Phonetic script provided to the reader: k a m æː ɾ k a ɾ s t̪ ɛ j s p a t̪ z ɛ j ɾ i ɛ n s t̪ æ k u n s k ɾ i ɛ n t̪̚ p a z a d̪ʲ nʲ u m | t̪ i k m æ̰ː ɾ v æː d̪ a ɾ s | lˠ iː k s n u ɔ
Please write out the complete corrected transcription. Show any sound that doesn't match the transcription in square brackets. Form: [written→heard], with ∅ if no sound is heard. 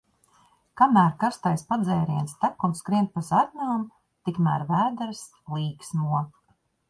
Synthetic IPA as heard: k a m æː ɾ k a ɾ s t̪ [ɛ→a] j s p a [t̪→d̪] z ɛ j ɾ i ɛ n s t̪ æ k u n s k ɾ i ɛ n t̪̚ p a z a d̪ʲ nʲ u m | t̪ i k m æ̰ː ɾ v æː d̪ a ɾ s | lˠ iː k s n u ɔ

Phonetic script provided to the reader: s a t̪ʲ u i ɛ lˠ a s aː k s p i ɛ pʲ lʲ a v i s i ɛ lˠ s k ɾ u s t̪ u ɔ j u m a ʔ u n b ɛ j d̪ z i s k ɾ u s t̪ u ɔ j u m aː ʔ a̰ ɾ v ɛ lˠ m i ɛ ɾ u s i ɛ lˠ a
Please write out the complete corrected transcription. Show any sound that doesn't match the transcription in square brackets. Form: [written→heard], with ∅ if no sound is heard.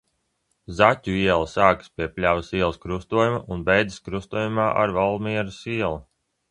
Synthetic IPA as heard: [s→z] a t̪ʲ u i ɛ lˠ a s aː k s p i ɛ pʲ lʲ a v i s i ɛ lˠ s k ɾ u s t̪ u ɔ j u m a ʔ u n b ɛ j d̪ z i s k ɾ u s t̪ u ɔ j u m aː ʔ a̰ ɾ v [ɛ→a] lˠ m i ɛ ɾ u s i ɛ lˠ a

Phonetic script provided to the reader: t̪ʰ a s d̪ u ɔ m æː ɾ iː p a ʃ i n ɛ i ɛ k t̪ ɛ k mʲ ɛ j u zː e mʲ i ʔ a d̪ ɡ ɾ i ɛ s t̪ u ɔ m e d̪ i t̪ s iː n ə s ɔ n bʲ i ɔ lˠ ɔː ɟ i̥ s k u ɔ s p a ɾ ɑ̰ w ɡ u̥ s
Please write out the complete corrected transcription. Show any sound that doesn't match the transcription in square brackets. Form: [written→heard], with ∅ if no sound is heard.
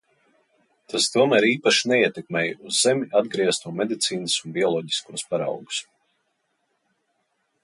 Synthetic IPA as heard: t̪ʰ a s [d̪→t̪] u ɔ m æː ɾ iː p a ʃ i n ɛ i ɛ [k→∅] t̪ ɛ k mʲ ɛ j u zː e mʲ i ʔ a d̪ ɡ ɾ i ɛ s t̪ u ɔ m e d̪ i t̪ s iː n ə s [ɔ→u] n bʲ i ɔ lˠ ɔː ɟ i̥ s k u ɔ s p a ɾ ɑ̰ w ɡ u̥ s

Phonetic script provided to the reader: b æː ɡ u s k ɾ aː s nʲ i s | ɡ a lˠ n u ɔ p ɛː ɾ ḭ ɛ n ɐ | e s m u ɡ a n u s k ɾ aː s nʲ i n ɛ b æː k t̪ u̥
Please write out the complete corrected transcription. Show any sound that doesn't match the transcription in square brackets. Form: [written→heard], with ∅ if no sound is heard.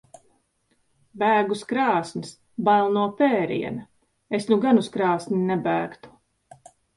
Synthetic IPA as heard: b æː ɡ u s k ɾ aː s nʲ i s | [ɡ→b] a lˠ n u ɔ p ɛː ɾ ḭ ɛ n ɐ | e s [m→n] u ɡ a n u s k ɾ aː s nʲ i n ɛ b æː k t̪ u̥

